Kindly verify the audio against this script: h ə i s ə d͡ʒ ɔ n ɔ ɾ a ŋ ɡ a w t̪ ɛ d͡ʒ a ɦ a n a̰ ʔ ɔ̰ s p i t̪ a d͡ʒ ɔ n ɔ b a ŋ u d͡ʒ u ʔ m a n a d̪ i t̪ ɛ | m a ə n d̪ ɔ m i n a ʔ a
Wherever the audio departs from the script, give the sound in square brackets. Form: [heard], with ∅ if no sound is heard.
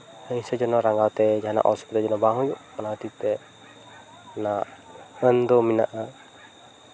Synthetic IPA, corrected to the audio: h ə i s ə d͡ʒ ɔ n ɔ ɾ a ŋ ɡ a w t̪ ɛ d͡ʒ a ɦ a n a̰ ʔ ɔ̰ s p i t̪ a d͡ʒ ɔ n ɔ b a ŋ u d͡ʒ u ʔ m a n a [t̪] i t̪ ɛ | [n] a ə n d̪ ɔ m i n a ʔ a